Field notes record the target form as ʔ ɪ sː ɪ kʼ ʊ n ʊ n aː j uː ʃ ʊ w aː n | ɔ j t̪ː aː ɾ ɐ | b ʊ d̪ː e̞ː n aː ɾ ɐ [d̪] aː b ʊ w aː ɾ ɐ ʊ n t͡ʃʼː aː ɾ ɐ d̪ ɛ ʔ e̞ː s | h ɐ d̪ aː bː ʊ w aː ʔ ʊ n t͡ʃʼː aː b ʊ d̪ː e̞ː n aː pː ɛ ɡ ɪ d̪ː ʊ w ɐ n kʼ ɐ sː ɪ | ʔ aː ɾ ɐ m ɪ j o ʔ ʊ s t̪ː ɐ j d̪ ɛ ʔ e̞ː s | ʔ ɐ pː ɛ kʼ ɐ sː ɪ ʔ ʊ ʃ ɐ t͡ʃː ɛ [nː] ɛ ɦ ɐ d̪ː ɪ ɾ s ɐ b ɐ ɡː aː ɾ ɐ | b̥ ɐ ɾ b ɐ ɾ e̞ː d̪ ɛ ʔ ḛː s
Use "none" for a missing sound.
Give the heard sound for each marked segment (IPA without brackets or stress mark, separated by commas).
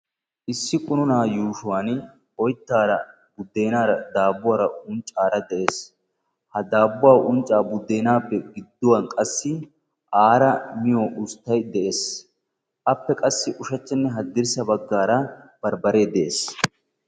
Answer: d̪, nː